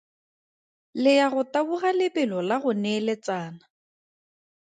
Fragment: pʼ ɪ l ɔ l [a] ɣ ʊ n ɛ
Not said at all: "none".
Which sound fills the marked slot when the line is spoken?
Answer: a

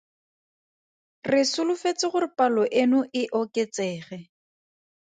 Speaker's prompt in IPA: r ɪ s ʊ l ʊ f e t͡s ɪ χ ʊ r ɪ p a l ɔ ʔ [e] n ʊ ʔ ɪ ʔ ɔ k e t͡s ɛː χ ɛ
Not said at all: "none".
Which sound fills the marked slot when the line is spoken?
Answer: e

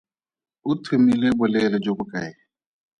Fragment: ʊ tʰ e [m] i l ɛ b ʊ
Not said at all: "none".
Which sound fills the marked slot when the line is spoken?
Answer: m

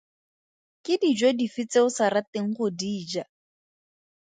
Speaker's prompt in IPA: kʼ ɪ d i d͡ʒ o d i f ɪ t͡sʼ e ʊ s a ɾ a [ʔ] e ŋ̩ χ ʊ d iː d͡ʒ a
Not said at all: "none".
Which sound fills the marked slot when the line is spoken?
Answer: t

